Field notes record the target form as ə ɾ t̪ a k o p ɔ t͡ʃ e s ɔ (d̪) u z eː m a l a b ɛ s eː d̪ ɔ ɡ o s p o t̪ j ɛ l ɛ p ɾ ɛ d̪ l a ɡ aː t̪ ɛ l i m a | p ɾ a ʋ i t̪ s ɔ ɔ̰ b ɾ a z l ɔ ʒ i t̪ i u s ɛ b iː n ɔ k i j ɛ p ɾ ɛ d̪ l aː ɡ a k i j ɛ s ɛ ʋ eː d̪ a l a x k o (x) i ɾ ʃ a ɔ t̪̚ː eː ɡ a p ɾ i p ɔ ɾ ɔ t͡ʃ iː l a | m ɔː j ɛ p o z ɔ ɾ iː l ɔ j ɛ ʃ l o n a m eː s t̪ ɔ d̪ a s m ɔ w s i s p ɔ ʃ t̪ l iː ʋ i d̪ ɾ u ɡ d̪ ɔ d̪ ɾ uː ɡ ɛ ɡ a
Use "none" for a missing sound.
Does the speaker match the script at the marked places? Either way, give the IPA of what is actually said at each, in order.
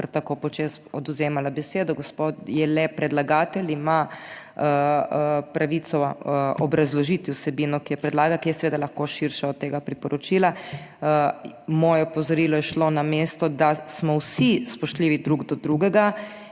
d̪, ʃ

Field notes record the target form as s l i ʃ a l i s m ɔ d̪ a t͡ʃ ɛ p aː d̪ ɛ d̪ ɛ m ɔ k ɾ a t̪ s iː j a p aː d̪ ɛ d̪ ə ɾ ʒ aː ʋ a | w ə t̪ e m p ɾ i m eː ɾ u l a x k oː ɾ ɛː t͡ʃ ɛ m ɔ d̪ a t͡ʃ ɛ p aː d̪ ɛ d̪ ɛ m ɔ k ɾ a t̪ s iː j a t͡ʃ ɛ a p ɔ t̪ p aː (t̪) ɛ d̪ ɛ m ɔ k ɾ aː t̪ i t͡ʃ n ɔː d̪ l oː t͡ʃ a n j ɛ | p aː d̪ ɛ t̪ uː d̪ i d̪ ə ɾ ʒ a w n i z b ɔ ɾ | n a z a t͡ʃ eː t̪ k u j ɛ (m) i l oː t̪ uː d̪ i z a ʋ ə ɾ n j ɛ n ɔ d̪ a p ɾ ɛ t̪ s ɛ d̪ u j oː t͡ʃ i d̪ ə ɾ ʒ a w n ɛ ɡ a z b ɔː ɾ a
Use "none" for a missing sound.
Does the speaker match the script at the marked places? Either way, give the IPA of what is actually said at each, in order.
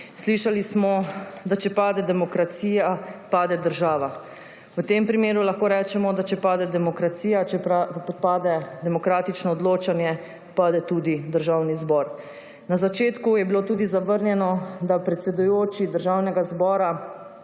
d̪, b

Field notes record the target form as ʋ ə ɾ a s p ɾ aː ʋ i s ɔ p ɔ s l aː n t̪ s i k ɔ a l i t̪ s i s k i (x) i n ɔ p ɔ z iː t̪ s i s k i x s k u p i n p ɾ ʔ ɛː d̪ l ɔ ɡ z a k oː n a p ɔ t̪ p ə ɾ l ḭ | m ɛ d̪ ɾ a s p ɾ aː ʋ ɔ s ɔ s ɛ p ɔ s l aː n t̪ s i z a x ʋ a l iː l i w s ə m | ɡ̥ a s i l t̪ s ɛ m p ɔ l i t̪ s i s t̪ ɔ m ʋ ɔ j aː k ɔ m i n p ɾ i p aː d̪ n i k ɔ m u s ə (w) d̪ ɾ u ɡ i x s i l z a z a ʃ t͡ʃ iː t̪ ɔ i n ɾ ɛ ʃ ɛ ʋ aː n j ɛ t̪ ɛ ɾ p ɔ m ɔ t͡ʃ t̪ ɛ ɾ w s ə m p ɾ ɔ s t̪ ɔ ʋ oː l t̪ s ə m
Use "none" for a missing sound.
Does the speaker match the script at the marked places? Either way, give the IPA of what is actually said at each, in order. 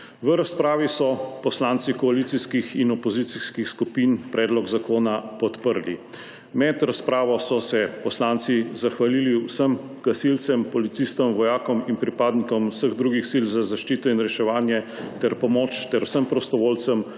x, ɣ

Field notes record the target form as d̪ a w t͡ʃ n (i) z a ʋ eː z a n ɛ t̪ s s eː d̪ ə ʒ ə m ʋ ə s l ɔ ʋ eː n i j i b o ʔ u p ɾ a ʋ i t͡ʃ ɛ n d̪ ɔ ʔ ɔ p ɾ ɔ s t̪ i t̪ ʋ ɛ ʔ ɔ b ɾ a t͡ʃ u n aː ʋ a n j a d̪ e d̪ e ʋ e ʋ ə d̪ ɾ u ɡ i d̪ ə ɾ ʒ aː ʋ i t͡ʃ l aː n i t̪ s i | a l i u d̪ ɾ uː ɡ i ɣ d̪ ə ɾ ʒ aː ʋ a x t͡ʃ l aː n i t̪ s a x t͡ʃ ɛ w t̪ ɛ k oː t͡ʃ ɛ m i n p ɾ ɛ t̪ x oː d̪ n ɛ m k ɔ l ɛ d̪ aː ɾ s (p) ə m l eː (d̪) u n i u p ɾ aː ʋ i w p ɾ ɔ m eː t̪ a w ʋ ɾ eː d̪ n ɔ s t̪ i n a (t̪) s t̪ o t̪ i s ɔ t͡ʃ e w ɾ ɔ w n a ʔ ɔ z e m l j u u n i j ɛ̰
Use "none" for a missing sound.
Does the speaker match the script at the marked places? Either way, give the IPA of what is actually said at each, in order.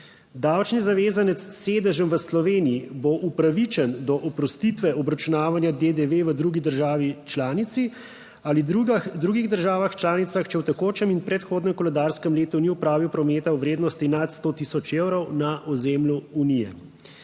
i, k, t̪, t̪

